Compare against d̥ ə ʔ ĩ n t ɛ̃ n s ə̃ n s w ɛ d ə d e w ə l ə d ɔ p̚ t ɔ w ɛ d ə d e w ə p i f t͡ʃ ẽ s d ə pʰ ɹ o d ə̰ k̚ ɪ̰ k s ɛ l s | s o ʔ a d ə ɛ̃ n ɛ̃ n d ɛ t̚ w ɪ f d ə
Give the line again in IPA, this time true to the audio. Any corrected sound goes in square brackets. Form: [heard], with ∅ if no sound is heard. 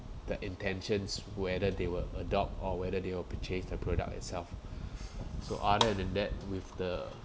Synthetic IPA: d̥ ə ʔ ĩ n t ɛ̃ n [ʃ] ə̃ n s w ɛ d ə d e w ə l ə d ɔ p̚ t ɔ w ɛ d ə d e w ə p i [∅] t͡ʃ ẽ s d ə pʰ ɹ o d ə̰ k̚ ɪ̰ [t] s ɛ l [f] | s o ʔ a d ə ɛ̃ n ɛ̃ n d ɛ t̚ w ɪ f d ə